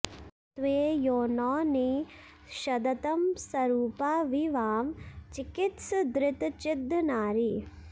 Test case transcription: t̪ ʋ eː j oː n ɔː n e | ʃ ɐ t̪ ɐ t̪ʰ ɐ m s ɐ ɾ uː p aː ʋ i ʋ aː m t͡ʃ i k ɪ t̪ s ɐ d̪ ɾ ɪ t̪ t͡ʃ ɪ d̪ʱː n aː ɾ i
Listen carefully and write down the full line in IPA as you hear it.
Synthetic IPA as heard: t̪ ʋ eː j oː n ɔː n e | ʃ ɐ d̪ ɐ t̪ ɐ m s ɐ ɾ uː p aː ʋ i ʋ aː m t͡ʃ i k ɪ t̪ s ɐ d̪ ɾ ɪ t̪ t͡ʃ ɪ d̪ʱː n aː ɾ i